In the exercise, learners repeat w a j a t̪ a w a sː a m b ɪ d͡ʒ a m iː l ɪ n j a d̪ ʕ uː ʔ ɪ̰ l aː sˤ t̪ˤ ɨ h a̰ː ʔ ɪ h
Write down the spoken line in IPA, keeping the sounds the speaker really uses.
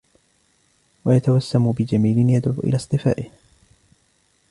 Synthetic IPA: w a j a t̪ a w a sː a m b ɪ d͡ʒ a m iː l ɪ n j a d̪ ʕ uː ʔ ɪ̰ l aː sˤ t̪ˤ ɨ f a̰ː ʔ ɪ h